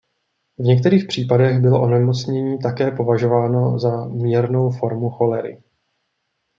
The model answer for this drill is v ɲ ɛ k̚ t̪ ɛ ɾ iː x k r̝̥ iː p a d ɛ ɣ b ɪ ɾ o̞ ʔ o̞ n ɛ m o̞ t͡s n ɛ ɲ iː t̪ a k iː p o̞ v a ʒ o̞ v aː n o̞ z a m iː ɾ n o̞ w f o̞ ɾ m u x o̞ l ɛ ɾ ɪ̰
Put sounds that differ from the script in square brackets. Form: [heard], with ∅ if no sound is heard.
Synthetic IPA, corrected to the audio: v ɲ ɛ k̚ t̪ ɛ ɾ iː x [p] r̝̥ iː p a d ɛ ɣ b ɪ [l] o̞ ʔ o̞ n ɛ m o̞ t͡s [ɲ] ɛ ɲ iː t̪ a k [ɛː] p o̞ v a ʒ o̞ v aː n o̞ z a m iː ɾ n o̞ w f o̞ ɾ m u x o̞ l ɛ ɾ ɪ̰

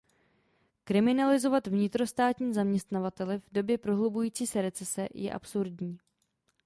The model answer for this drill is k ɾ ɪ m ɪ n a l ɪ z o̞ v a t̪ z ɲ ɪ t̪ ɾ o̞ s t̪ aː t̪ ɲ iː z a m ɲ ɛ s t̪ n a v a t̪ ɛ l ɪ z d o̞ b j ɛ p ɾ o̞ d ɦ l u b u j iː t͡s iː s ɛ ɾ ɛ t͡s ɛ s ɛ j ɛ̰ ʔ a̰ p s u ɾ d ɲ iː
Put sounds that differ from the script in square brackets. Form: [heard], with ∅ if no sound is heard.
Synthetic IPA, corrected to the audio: k ɾ ɪ m ɪ n a l ɪ z o̞ v a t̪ [v] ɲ ɪ t̪ ɾ o̞ s t̪ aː t̪ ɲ iː z a m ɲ ɛ s t̪ n a v a t̪ ɛ l ɪ [v] d o̞ b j ɛ p ɾ o̞ [∅] ɦ l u b u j iː t͡s iː s ɛ ɾ ɛ t͡s ɛ s ɛ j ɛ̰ ʔ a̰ p s u ɾ d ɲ iː

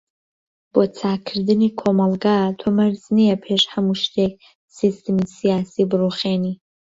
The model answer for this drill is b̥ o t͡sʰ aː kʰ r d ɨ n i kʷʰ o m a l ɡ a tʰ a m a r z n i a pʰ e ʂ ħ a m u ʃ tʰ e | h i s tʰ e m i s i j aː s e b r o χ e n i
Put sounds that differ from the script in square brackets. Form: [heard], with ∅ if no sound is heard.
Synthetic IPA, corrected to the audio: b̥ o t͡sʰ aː kʰ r d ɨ n i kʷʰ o m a l ɡ a tʰ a m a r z n i a pʰ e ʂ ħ a m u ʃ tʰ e | [s] i s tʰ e m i s i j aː s [i] b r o χ e n i

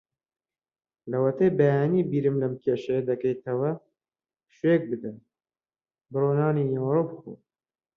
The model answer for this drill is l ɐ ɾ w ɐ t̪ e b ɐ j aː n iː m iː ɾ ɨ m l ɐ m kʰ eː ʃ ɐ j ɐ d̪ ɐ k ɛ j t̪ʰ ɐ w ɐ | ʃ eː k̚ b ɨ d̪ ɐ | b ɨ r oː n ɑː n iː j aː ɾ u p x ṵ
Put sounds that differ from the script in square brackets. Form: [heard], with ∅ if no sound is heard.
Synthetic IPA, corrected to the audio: l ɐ [∅] w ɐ t̪ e b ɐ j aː n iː [b] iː ɾ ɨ m l ɐ m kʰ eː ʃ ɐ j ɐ d̪ ɐ k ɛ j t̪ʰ ɐ w ɐ | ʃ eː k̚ b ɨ d̪ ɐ | b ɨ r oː n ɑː n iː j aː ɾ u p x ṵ

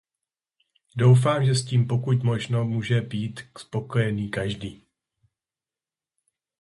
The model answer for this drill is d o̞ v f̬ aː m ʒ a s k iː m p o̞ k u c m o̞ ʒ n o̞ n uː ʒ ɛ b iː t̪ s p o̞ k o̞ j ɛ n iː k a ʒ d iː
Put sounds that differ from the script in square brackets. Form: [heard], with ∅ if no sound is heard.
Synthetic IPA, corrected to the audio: d o̞ [w] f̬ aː m ʒ [ɛ] s [c] iː m p o̞ k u c m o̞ ʒ n o̞ [m] uː ʒ ɛ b iː t̪ s p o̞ k o̞ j ɛ n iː k a ʒ d iː

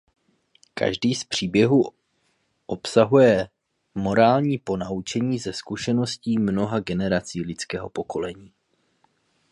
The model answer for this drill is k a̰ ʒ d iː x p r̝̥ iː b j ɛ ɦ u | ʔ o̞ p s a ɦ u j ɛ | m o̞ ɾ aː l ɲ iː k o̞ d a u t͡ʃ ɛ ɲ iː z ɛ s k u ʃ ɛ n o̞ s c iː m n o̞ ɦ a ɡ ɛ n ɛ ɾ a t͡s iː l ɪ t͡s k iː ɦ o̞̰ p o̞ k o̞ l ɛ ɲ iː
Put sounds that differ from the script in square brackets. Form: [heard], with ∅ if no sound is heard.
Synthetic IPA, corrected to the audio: k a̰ ʒ d iː [s] p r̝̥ iː b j ɛ ɦ u | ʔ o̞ p s a ɦ u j ɛ | m o̞ ɾ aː l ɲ iː [p] o̞ [n] a u t͡ʃ ɛ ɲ iː z ɛ s k u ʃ ɛ n o̞ s c iː m n o̞ ɦ a ɡ ɛ n ɛ ɾ a t͡s iː l ɪ t͡s k [ɛː] ɦ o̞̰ p o̞ k o̞ l ɛ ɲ iː

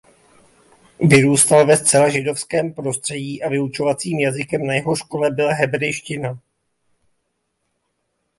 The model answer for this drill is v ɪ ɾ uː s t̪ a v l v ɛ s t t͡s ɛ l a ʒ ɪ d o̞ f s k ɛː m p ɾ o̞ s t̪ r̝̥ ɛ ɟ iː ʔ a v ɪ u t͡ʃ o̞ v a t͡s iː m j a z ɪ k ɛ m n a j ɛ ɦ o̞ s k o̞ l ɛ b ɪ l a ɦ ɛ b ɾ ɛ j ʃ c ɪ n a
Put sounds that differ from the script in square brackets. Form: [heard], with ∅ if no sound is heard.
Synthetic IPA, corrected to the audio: v ɪ ɾ uː s t̪ a [∅] l v ɛ s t t͡s ɛ l a ʒ ɪ d o̞ f s k ɛː m p ɾ o̞ s t̪ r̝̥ ɛ ɟ iː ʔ a v ɪ u t͡ʃ o̞ v a t͡s iː m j a z ɪ k ɛ m n a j ɛ ɦ o̞ [ʃ] k o̞ l ɛ b ɪ l a ɦ ɛ b ɾ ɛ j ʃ c ɪ n a

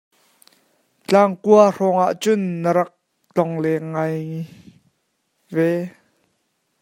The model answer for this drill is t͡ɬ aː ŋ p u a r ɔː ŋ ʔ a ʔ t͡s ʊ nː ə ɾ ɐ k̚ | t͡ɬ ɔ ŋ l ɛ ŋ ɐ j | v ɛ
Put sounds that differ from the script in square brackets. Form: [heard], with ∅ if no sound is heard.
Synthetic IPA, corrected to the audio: t͡ɬ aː ŋ [k] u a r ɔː ŋ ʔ a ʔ t͡s ʊ nː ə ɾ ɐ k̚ | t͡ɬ ɔ ŋ l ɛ ŋ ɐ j | v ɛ

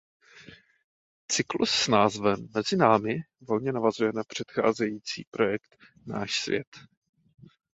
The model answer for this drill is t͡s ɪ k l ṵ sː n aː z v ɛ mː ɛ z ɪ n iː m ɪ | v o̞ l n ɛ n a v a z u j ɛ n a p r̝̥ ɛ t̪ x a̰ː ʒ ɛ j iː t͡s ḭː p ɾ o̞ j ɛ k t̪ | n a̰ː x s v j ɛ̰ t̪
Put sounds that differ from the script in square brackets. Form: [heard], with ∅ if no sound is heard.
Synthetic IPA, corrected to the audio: t͡s ɪ k l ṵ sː n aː z v ɛ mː ɛ z ɪ n [aː] m ɪ | v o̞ l [ɲ] ɛ n a v a z u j ɛ n a p r̝̥ ɛ t̪ x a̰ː [z] ɛ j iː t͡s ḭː p ɾ o̞ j ɛ k t̪ | n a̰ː [ʃ] s v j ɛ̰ t̪

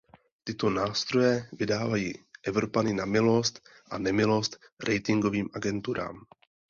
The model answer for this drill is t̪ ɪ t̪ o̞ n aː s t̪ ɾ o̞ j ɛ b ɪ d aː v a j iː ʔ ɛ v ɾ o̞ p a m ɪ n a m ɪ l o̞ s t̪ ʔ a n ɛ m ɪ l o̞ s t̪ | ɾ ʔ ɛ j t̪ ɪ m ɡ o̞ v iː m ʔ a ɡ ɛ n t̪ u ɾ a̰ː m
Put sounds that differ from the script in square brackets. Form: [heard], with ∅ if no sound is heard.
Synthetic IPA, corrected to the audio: t̪ ɪ t̪ o̞ n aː s t̪ ɾ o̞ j ɛ [v] ɪ d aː v a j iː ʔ ɛ v ɾ o̞ p a [n] ɪ n a m ɪ l o̞ s t̪ ʔ a n ɛ m ɪ l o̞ s t̪ | ɾ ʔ ɛ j t̪ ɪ [ŋ] ɡ o̞ v iː m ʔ a ɡ ɛ n t̪ u ɾ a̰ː m

